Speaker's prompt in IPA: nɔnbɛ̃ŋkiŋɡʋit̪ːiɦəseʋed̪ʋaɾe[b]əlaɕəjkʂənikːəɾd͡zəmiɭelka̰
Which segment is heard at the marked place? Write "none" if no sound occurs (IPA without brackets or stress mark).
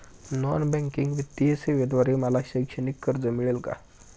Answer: m